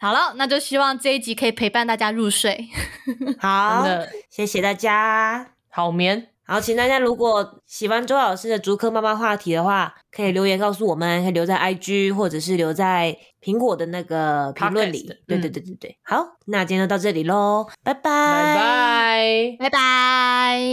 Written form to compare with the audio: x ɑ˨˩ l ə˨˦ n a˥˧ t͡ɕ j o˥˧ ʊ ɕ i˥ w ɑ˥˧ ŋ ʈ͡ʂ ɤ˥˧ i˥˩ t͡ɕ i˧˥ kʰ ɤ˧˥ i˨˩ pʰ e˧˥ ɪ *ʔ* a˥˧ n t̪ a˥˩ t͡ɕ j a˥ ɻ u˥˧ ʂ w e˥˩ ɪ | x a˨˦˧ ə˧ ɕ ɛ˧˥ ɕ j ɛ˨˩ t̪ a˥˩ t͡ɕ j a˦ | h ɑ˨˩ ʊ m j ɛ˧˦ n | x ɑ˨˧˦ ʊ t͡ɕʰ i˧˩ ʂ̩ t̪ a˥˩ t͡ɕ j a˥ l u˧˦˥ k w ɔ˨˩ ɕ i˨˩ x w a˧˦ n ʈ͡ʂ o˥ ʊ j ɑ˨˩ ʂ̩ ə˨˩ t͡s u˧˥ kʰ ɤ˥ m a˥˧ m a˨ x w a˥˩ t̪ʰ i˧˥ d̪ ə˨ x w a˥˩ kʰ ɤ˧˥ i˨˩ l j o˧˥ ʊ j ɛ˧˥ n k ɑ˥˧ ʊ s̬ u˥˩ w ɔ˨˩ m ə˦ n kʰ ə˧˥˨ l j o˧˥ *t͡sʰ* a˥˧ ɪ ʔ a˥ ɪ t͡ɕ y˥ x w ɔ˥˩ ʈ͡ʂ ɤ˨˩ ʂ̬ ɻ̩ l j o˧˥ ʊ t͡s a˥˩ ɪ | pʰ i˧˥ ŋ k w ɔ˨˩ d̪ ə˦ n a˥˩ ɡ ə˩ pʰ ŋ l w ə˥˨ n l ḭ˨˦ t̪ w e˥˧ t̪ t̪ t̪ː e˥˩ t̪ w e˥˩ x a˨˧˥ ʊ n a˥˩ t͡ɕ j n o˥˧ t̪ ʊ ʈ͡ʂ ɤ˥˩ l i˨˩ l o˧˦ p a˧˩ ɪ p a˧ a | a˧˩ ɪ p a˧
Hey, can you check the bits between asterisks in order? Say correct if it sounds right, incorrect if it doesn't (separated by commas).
incorrect, incorrect